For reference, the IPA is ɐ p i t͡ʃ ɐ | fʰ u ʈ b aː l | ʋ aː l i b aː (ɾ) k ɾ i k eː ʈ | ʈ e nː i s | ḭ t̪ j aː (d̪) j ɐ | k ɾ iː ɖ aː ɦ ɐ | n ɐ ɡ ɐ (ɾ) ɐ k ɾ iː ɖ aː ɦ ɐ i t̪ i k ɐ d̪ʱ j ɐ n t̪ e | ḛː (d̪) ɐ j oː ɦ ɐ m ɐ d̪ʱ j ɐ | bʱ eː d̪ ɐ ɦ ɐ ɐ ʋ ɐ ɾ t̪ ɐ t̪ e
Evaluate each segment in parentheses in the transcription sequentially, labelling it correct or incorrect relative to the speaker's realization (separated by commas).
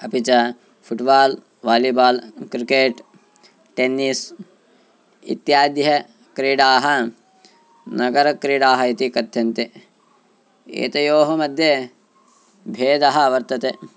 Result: incorrect, correct, correct, incorrect